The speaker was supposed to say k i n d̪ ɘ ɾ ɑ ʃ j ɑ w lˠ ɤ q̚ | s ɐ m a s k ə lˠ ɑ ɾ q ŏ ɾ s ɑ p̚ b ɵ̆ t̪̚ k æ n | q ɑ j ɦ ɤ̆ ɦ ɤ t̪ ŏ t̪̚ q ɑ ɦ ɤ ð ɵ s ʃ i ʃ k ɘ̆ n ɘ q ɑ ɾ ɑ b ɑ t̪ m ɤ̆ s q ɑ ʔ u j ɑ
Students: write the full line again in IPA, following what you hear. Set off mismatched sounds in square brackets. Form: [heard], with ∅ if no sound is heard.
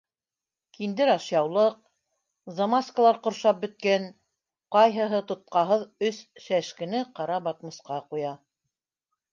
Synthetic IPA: k i n d̪ ɘ ɾ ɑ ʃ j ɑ w lˠ ɤ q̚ | [z] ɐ m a s k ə lˠ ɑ ɾ q ŏ ɾ [ʃ] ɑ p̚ b ɵ̆ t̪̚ k æ n | q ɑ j ɦ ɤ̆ ɦ ɤ t̪ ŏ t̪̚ q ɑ ɦ ɤ ð ɵ s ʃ [æ] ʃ k ɘ̆ n ɘ q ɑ ɾ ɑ b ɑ t̪ m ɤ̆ s q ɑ [q] u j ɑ